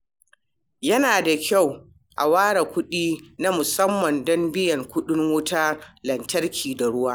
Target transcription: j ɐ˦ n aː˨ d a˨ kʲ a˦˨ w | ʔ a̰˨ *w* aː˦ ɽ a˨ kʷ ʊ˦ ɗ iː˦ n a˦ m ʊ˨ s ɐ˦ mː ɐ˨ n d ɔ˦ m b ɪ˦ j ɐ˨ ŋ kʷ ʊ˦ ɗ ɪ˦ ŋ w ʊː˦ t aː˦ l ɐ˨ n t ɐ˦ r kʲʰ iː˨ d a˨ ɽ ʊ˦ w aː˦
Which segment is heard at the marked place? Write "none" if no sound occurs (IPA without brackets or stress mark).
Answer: w